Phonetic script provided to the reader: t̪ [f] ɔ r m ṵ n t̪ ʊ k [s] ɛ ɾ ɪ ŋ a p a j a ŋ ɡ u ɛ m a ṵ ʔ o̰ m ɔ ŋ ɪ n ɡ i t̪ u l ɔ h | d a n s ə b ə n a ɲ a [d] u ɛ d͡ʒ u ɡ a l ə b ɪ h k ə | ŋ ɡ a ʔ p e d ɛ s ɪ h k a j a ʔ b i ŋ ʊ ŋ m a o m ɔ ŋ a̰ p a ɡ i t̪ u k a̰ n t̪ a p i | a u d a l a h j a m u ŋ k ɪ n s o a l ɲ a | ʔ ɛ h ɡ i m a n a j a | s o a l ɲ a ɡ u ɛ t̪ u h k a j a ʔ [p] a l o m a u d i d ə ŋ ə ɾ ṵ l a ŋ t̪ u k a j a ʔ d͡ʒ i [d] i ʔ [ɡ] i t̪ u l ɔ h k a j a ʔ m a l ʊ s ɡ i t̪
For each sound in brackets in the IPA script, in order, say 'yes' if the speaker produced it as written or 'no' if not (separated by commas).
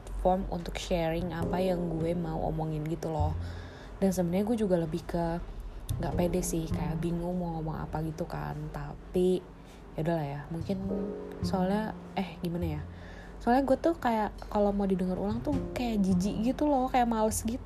yes, no, no, no, no, yes